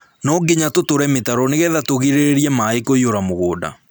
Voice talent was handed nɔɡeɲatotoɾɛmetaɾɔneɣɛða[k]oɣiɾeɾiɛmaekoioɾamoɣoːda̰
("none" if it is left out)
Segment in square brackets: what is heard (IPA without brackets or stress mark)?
t